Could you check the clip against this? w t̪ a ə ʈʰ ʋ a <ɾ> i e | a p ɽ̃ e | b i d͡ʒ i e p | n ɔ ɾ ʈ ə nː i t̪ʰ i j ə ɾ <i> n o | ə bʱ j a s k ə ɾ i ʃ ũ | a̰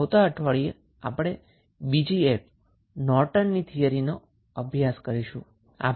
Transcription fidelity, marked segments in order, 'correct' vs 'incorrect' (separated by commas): incorrect, correct